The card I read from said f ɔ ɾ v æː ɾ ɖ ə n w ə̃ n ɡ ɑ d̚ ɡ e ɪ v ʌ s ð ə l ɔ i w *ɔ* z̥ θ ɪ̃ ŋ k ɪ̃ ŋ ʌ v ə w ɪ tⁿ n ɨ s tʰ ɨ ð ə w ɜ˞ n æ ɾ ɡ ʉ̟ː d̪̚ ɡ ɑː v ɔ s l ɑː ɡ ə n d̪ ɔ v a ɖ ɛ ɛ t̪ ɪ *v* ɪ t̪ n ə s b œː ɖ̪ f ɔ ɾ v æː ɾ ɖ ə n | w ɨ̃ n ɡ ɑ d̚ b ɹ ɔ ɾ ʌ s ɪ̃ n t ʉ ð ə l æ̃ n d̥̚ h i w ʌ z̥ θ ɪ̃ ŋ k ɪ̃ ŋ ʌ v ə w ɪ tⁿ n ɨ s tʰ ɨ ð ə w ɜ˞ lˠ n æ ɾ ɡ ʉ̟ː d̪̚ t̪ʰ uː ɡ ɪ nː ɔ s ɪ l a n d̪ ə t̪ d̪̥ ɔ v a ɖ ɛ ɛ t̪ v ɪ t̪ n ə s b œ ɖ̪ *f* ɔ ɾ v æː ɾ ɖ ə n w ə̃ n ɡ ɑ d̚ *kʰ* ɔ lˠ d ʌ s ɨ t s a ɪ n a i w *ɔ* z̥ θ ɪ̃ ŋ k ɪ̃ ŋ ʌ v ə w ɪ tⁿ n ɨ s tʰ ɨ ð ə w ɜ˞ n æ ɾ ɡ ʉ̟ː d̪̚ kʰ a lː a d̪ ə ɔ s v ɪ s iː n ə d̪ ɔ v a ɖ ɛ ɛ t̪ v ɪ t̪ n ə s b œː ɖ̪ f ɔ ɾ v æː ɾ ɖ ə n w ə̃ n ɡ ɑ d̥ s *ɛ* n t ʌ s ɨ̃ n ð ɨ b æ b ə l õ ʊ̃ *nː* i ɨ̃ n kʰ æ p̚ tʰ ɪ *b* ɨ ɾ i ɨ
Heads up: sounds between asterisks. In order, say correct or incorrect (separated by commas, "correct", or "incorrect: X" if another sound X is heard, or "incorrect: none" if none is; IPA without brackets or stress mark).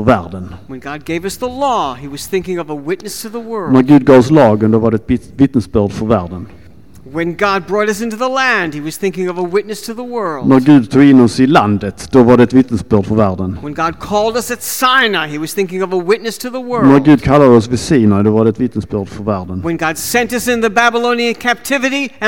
incorrect: ʌ, correct, correct, correct, incorrect: ʌ, incorrect: ɛ̃, incorrect: n, incorrect: v